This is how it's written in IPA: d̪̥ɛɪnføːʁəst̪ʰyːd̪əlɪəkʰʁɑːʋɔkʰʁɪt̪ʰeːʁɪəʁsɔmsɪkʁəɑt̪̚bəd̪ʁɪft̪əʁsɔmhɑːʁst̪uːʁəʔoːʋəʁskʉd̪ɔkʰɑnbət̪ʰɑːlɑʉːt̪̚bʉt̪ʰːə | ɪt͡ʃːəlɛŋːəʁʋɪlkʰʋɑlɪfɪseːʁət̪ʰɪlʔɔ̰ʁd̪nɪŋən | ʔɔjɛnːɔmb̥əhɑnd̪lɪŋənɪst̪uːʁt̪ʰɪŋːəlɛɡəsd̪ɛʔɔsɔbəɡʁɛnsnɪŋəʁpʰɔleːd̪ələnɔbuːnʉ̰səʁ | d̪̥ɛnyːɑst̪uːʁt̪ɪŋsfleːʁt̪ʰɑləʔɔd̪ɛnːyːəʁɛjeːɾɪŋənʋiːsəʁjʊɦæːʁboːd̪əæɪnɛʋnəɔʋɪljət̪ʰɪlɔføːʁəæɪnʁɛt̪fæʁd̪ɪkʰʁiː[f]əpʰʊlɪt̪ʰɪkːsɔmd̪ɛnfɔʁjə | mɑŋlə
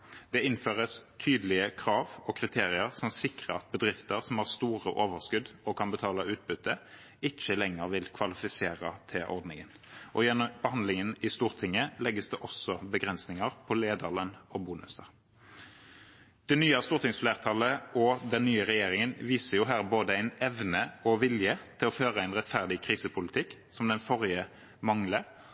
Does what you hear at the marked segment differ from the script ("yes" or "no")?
yes